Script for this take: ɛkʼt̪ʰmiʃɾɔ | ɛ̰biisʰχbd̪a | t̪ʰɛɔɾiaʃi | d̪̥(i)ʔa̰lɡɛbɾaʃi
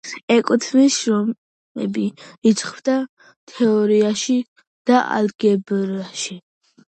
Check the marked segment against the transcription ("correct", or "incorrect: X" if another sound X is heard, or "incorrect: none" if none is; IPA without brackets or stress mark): incorrect: a